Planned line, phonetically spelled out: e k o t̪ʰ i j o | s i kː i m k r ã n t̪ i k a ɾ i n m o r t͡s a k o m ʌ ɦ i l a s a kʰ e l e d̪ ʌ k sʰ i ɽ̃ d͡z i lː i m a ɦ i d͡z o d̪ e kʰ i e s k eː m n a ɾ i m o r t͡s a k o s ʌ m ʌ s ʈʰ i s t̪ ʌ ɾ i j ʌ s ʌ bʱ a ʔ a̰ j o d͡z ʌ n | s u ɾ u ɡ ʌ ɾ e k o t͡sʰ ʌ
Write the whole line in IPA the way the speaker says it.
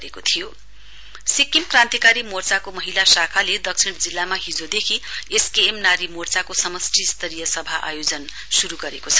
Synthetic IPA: e k o t̪ʰ i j o | s i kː i m k r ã n t̪ i k a ɾ i m o r t͡s a k o m ʌ ɦ i l a s a kʰ a l e d̪ ʌ k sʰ i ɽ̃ d͡z i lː a m a ɦ i d͡z o d̪ e kʰ i e s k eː m n a ɾ i m o r t͡s a k o s ʌ m ʌ s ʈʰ i s t̪ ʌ ɾ i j ʌ s ʌ bʱ a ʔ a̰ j o d͡z ʌ n | s u ɾ u ɡ ʌ ɾ e k o t͡sʰ ʌ